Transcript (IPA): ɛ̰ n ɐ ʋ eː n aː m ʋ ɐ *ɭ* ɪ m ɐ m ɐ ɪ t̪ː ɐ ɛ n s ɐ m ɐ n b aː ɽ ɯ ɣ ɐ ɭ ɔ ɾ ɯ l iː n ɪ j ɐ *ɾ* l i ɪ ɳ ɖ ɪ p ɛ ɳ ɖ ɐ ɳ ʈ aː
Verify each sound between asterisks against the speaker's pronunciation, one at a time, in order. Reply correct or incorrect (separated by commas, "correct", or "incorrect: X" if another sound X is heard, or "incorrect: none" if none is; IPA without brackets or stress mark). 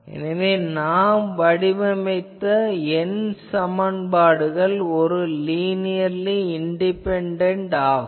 incorrect: ɽ, correct